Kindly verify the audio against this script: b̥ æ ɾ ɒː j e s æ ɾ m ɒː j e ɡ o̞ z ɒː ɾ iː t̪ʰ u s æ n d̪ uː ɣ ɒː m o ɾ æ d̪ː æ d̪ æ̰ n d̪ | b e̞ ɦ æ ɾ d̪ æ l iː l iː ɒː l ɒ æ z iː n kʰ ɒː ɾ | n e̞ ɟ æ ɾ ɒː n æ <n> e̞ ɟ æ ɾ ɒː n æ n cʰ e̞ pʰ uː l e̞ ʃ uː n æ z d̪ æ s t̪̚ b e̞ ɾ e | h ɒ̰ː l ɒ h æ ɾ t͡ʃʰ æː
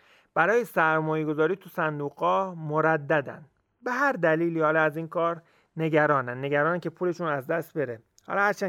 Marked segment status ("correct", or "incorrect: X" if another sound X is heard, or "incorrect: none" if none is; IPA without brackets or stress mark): incorrect: nː